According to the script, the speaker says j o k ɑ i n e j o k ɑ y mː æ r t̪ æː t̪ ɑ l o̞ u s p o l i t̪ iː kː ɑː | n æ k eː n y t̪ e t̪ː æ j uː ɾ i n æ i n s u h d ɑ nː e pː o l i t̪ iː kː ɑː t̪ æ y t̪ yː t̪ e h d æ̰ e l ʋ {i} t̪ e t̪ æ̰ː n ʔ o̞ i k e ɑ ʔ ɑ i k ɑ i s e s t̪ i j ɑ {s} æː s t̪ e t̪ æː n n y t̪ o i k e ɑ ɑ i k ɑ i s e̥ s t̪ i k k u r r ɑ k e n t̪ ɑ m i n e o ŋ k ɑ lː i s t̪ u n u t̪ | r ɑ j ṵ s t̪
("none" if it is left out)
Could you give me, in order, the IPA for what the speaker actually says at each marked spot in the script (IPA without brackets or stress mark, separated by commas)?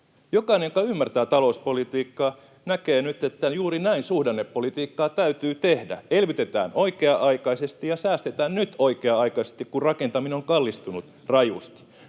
y, s